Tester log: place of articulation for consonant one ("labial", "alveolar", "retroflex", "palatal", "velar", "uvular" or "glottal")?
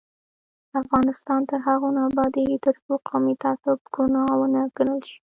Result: labial